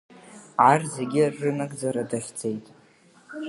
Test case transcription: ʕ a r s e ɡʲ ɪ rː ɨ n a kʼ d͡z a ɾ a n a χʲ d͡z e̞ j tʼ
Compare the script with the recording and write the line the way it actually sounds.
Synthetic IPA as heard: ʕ a r z e ɡʲ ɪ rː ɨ n a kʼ d͡z a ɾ a d a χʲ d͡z e̞ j tʼ